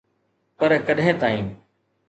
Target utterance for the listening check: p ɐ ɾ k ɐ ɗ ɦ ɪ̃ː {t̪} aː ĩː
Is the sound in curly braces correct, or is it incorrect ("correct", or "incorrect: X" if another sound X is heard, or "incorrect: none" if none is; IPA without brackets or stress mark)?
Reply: correct